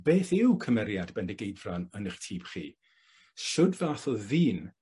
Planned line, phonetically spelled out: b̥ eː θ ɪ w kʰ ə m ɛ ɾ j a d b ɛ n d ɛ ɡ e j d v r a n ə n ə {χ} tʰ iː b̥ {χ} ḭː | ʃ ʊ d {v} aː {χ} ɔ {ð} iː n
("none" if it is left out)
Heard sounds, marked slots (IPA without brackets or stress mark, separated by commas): χ, χ, v, θ, ð